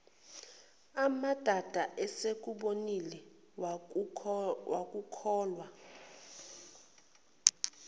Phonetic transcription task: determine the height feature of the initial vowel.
low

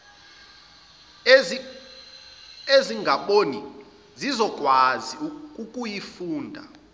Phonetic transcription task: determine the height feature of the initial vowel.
mid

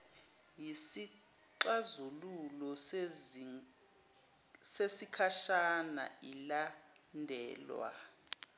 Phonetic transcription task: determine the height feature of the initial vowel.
high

